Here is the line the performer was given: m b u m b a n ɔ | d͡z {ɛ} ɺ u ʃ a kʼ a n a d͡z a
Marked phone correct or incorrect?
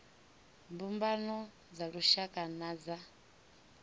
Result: incorrect: a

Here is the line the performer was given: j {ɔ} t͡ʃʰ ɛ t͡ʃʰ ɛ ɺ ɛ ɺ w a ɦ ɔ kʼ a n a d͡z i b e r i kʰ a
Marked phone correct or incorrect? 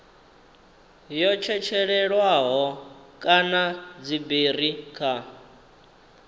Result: correct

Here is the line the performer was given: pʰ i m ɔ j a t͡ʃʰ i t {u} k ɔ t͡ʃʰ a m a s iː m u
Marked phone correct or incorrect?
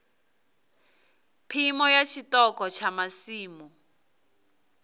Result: incorrect: ɔ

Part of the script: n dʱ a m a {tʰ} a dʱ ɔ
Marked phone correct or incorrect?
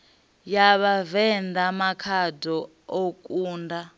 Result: incorrect: kʰ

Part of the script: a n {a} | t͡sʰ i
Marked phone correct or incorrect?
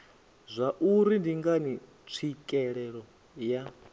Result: incorrect: i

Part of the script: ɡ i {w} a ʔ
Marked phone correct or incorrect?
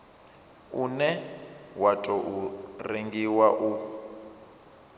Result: correct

